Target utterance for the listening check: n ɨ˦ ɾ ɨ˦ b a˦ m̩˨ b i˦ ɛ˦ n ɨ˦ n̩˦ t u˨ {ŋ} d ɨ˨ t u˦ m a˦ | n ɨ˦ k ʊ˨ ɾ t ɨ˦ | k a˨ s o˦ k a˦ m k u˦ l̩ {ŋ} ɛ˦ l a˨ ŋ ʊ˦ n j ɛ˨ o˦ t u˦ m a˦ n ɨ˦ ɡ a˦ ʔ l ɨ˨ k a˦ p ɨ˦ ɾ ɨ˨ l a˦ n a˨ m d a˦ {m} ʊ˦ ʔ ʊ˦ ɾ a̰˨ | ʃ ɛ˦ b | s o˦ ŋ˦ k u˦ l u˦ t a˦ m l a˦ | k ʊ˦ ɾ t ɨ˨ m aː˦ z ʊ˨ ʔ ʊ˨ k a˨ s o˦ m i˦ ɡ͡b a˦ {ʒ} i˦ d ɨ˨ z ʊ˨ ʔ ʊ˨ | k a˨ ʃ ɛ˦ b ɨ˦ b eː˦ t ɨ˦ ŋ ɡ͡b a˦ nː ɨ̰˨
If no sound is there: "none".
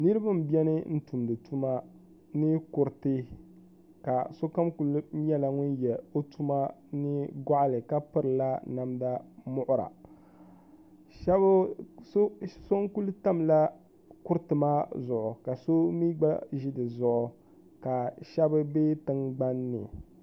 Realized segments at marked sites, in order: m, ɲ, m, ʒ

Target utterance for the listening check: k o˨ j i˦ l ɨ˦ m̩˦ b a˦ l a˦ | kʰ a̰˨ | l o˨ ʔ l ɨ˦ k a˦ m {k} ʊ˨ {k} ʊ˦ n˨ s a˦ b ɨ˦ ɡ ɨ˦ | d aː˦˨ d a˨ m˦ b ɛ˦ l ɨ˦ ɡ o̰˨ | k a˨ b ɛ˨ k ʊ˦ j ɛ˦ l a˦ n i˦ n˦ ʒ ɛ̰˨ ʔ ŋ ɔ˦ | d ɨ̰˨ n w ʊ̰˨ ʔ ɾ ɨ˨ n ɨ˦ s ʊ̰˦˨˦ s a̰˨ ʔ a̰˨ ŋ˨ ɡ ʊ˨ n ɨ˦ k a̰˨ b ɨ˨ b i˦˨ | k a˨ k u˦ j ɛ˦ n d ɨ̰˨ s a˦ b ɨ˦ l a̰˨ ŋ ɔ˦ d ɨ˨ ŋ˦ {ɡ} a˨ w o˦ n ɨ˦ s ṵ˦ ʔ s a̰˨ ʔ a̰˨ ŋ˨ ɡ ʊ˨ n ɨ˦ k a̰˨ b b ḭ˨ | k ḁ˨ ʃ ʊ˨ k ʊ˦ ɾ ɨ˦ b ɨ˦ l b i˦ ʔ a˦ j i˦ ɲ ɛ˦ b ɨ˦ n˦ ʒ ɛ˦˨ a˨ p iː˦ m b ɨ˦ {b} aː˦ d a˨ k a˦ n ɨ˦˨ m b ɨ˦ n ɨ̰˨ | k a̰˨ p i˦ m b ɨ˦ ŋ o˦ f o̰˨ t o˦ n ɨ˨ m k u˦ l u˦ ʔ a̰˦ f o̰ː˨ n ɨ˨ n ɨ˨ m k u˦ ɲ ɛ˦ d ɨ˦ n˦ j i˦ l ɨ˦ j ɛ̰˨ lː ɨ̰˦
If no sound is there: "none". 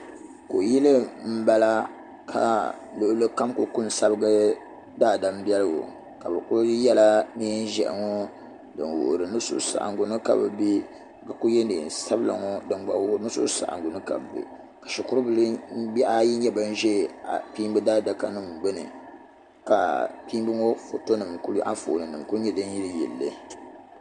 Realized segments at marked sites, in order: k, k, ɡ͡b, d

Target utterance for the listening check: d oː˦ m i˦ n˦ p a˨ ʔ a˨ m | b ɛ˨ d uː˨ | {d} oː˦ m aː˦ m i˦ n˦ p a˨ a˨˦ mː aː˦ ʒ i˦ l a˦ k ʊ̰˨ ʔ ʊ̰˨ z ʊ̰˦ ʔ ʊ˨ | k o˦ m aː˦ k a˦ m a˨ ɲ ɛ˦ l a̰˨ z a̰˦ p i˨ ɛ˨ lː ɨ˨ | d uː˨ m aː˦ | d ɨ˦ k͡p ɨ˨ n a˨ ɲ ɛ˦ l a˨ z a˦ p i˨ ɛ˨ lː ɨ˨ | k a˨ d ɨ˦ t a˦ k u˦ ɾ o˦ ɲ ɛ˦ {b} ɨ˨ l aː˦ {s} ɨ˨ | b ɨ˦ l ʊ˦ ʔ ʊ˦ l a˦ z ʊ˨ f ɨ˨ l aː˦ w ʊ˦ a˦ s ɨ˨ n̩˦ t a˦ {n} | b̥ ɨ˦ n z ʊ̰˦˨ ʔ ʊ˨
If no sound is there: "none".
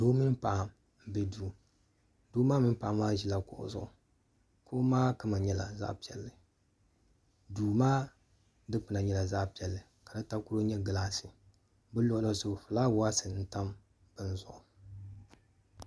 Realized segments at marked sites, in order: d, ɡ, s, m

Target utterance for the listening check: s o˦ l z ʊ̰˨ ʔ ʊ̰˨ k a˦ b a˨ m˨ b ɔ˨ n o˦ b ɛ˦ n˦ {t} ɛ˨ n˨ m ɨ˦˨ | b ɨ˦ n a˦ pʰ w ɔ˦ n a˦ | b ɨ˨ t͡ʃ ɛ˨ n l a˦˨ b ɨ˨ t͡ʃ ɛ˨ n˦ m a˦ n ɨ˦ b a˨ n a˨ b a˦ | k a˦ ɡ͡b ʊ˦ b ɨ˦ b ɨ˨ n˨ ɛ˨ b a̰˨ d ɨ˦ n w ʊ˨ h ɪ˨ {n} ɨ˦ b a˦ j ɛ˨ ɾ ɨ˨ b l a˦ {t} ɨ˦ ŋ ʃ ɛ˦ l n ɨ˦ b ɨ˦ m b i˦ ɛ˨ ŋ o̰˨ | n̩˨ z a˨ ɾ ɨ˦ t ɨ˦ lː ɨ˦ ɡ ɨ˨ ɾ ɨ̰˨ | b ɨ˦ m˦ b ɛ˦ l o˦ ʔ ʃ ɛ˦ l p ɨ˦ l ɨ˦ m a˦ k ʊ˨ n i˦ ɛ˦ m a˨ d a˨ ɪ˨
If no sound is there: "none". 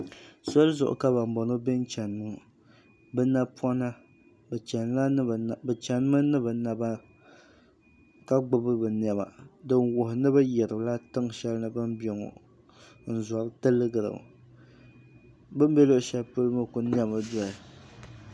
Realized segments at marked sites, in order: t͡ʃ, n, t

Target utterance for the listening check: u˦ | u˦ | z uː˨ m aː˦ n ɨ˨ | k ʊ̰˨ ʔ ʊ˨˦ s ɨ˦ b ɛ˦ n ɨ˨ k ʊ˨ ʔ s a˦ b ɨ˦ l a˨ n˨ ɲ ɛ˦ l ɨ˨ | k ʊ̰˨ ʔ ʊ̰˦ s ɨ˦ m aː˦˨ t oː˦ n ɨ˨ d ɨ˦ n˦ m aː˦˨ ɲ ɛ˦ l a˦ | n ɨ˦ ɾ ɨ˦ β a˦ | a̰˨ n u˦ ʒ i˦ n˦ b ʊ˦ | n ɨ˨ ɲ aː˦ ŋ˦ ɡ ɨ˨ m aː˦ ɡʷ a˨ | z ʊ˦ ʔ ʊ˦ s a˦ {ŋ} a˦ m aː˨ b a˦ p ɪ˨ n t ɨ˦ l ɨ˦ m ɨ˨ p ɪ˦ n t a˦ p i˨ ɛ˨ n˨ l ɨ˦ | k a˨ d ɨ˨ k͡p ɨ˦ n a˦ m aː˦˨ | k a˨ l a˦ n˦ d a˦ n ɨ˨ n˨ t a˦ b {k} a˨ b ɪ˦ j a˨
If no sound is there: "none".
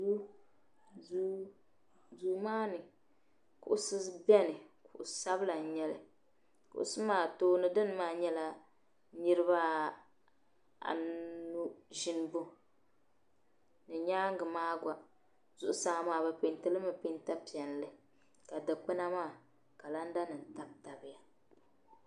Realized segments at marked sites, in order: ŋ, t

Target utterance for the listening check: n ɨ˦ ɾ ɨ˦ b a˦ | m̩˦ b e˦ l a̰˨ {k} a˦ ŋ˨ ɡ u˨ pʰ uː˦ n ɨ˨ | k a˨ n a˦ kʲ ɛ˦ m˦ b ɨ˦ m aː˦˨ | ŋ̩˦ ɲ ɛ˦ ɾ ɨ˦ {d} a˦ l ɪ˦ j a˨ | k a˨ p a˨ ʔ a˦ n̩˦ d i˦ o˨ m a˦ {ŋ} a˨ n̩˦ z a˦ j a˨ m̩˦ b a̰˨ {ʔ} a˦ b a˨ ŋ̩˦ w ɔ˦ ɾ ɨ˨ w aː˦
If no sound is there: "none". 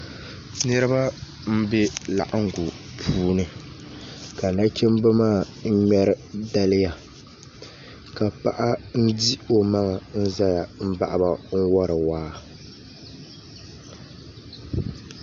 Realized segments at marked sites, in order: ʔ, d, ŋ, ʔ

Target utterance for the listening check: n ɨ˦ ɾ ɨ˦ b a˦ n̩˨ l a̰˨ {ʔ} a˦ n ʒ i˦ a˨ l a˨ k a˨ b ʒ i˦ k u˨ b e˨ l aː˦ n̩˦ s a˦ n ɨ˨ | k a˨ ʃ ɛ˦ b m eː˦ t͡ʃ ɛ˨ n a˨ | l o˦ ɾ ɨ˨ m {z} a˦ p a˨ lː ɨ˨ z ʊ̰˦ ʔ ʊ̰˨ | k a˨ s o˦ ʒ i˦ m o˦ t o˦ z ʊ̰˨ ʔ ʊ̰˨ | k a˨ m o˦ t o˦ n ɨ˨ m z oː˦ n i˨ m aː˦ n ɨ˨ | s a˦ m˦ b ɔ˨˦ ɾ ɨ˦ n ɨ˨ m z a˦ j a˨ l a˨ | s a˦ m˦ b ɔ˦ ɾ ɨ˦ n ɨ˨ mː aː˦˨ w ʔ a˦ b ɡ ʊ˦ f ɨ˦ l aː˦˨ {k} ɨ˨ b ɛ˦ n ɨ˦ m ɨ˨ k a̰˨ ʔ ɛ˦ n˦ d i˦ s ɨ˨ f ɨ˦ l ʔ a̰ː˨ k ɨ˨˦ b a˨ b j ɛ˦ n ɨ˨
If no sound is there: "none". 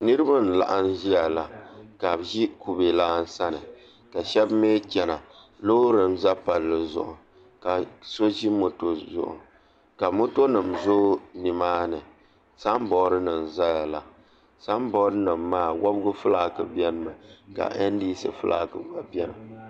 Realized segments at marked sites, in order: ʔ, z, k

